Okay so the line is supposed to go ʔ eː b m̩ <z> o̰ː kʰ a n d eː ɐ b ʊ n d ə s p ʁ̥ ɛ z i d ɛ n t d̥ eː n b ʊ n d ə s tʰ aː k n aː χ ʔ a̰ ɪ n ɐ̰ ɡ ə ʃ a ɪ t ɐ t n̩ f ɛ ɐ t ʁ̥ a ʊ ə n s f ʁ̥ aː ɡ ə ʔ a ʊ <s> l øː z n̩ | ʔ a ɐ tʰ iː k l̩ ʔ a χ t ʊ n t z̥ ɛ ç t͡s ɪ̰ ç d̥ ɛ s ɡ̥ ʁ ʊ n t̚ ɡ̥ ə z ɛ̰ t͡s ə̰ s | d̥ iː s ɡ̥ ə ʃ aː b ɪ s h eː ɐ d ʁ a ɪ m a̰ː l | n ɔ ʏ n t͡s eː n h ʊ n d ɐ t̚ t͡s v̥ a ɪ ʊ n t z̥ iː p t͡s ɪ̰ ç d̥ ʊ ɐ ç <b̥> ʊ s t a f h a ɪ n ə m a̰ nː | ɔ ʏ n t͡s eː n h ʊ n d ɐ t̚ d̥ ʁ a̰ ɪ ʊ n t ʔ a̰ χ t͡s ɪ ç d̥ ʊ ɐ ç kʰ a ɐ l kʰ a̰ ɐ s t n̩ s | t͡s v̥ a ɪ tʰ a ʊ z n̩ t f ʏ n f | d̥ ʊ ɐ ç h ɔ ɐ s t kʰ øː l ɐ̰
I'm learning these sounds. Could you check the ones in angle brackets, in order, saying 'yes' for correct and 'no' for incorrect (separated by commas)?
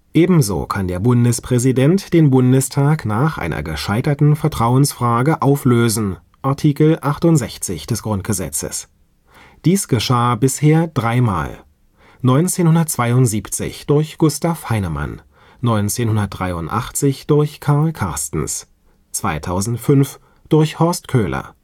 yes, no, no